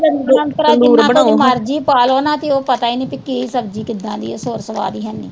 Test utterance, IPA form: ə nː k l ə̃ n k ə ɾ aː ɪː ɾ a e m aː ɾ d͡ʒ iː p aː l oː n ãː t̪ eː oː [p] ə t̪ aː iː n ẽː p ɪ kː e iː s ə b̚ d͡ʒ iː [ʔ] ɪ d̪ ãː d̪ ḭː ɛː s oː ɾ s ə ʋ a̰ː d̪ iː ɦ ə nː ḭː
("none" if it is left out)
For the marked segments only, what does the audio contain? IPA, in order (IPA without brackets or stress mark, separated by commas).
p, k